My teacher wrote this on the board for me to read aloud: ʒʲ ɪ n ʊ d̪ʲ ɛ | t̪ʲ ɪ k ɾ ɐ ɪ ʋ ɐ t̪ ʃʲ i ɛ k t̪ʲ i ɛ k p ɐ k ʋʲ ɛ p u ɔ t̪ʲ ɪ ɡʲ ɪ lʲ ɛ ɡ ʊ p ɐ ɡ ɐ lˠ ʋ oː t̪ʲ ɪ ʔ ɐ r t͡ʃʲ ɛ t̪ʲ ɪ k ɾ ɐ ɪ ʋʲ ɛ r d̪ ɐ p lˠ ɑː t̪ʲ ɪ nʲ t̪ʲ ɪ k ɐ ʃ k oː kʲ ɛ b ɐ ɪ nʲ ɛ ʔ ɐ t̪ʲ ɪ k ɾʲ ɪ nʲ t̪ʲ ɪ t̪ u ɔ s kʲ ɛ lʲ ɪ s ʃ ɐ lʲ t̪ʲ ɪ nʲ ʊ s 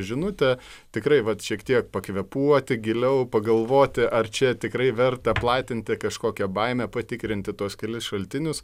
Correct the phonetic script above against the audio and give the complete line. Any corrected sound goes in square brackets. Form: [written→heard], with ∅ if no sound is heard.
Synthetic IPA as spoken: ʒʲ ɪ n ʊ [d̪ʲ→t̪ʲ] ɛ | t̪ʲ ɪ k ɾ ɐ ɪ ʋ ɐ t̪ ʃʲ i ɛ k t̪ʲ i ɛ k p ɐ k ʋʲ ɛ p u ɔ t̪ʲ ɪ ɡʲ ɪ lʲ ɛ [ɡ→∅] ʊ p ɐ ɡ ɐ lˠ ʋ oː t̪ʲ ɪ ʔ ɐ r t͡ʃʲ ɛ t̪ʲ ɪ k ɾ ɐ ɪ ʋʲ ɛ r [d̪→t̪] ɐ p lˠ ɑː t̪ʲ ɪ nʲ t̪ʲ ɪ k ɐ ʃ k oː kʲ ɛ b ɐ ɪ [nʲ→mʲ] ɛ [ʔ→p] ɐ t̪ʲ ɪ k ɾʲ ɪ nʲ t̪ʲ ɪ t̪ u ɔ s kʲ ɛ lʲ ɪ s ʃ ɐ lʲ t̪ʲ ɪ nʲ ʊ s